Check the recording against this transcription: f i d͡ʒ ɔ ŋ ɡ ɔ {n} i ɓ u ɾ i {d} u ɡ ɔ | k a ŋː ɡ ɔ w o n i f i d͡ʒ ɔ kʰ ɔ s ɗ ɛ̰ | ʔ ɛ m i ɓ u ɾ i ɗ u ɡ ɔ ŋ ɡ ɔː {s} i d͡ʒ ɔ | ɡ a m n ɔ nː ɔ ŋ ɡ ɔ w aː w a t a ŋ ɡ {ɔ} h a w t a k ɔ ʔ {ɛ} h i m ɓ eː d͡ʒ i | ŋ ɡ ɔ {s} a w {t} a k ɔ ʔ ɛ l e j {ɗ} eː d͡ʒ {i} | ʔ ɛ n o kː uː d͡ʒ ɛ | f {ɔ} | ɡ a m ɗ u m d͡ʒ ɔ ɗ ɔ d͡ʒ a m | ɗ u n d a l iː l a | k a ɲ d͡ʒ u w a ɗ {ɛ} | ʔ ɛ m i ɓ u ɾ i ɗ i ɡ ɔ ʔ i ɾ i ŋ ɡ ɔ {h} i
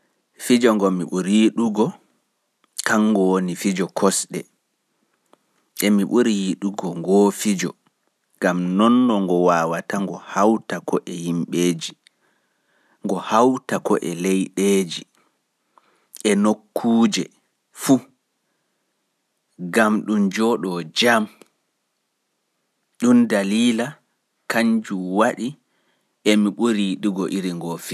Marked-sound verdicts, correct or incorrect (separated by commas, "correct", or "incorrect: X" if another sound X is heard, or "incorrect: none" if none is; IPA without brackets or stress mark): incorrect: m, incorrect: ɗ, incorrect: f, correct, correct, incorrect: h, correct, correct, correct, incorrect: u, incorrect: i, incorrect: f